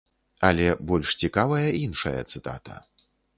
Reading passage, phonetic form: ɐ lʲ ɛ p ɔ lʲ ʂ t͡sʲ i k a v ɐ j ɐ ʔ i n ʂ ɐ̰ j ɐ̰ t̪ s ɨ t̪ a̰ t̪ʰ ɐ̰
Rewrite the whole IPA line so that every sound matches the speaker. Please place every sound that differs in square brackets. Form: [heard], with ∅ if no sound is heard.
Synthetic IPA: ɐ lʲ ɛ [b] ɔ lʲ ʂ t͡sʲ i k a v ɐ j ɐ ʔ i n ʂ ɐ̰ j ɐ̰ t̪ s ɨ t̪ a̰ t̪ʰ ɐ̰